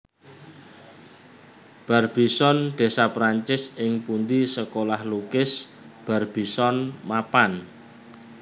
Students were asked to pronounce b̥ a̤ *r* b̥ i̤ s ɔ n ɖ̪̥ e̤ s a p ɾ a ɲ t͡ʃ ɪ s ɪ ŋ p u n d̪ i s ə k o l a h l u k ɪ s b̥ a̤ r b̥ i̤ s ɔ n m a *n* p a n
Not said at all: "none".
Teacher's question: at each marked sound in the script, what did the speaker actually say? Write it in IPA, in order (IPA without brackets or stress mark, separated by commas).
r, none